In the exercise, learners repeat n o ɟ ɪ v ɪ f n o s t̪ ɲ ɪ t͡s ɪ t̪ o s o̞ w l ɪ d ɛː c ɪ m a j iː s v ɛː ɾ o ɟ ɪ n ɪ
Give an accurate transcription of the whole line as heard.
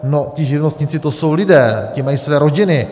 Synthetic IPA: n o c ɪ ʒ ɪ v n o s t̪ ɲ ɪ t͡s ɪ t̪ o s o̞ w l ɪ d ɛː c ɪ m a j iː s v ɛː ɾ o ɟ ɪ n ɪ